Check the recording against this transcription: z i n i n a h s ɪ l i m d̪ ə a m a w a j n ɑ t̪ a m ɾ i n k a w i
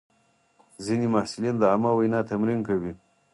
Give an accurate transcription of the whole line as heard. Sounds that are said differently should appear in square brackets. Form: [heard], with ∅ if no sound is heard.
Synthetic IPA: z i n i [m] a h s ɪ l i [n] d̪ ə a m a w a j n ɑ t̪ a m ɾ i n k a w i